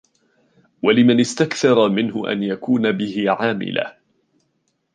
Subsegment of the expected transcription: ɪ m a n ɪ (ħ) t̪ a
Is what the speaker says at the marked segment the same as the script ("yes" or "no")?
no